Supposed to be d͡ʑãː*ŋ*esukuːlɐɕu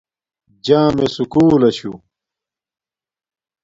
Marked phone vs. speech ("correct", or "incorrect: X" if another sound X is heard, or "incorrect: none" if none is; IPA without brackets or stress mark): incorrect: m